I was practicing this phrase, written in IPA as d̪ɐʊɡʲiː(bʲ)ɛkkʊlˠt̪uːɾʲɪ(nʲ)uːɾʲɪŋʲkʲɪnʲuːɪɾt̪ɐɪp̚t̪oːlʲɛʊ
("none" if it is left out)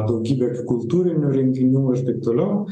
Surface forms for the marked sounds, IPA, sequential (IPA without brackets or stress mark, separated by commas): bʲ, nʲ